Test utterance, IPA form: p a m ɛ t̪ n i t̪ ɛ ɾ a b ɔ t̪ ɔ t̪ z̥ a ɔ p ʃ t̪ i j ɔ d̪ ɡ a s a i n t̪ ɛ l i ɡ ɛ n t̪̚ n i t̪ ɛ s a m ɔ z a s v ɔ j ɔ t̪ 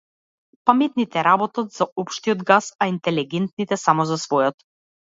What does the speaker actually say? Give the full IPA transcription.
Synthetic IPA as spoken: p a m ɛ t̪ n i t̪ ɛ ɾ a b ɔ t̪ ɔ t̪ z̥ a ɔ p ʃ t̪ i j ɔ d̪ ɡ a s a i n t̪ ɛ l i ɡ ɛ n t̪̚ n i t̪ ɛ s a m ɔ z a s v ɔ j ɔ t̪